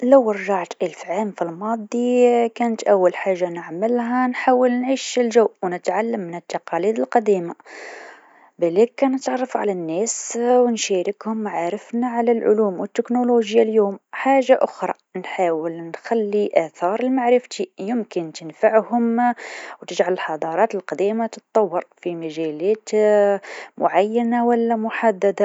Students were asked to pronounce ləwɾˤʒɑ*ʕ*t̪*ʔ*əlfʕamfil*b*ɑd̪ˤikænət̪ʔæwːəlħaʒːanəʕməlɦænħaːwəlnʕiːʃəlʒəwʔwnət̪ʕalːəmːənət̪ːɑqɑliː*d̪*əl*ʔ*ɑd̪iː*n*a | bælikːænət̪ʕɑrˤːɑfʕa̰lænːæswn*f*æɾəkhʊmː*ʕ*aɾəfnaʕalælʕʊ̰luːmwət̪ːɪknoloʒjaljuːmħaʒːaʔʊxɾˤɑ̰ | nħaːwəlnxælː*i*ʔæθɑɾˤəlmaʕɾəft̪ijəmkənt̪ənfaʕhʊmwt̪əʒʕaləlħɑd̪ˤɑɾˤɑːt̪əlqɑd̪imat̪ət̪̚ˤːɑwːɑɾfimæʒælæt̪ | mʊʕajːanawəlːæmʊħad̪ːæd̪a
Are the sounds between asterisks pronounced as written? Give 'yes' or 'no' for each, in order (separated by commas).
yes, yes, no, yes, no, no, no, yes, yes